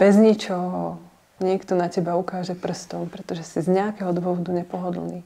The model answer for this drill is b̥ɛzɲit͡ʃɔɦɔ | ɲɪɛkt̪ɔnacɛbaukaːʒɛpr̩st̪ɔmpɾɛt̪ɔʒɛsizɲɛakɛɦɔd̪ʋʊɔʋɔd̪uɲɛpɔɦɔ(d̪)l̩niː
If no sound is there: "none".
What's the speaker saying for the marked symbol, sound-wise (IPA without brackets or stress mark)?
d̪